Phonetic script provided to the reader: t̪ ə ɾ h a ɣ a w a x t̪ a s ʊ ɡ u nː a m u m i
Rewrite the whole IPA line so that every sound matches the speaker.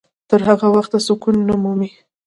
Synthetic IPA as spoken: t̪ ə ɾ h a ɣ a w a x t̪ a s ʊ k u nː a m u m i

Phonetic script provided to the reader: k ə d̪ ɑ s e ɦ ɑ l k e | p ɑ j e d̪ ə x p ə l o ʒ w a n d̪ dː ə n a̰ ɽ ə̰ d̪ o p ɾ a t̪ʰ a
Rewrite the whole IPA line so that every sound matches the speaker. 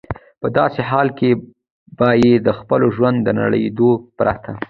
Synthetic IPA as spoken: p ə d̪ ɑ s e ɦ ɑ l k e | b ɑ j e d̪ ə x p ə l o ʒ w a n d̪ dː ə n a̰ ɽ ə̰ d̪ o p ɾ a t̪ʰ a

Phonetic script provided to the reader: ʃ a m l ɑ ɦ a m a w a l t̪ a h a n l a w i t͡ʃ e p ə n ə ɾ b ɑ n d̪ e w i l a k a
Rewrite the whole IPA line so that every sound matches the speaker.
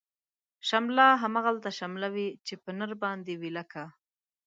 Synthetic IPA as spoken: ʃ a m l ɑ ɦ a m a ɣ a l t̪ a ʃ a m l a w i t͡ʃ e p ə n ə ɾ b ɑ n d̪ e w i l a k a

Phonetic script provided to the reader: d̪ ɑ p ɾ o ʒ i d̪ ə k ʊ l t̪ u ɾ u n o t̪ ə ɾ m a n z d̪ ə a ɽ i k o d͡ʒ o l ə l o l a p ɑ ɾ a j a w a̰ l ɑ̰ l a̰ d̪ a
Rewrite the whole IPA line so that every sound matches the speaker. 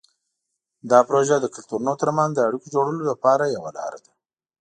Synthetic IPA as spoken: d̪ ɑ p ɾ o ʒ a d̪ ə k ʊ l t̪ u ɾ u n o t̪ ə ɾ m a n z d̪ ə a ɽ i k o d͡ʒ o ɽ ə l o l a p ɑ ɾ a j a w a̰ l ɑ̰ ɾ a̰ d̪ a

